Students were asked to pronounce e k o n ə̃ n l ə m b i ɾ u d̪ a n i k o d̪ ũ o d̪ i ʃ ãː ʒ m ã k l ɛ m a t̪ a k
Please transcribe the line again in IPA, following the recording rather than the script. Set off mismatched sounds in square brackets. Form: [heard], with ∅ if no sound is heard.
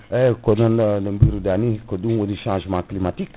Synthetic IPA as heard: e k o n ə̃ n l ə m b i ɾ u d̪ a n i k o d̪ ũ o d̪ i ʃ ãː ʒ m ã k l [i] m a t̪ [i] k